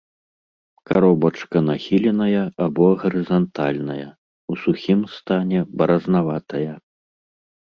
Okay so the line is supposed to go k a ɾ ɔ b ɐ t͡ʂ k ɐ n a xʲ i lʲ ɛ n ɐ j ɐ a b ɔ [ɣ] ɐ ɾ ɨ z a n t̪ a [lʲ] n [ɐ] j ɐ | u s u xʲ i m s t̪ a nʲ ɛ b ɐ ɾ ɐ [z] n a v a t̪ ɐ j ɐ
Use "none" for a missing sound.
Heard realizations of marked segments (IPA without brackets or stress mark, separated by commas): ɣ, lʲ, ɐ, z